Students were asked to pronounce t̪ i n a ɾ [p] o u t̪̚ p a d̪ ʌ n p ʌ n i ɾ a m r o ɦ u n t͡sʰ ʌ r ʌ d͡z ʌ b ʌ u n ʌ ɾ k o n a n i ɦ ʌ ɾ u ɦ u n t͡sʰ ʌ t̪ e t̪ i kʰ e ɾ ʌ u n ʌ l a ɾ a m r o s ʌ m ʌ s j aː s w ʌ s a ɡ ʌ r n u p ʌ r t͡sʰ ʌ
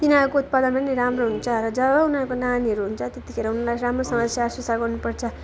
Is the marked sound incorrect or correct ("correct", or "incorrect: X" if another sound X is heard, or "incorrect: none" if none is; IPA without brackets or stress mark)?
incorrect: k